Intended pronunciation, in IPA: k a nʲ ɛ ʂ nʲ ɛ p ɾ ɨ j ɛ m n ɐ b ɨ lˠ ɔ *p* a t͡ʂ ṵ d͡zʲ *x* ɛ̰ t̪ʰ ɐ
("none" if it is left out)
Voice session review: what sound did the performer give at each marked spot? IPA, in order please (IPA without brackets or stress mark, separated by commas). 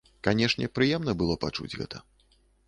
p, ɣ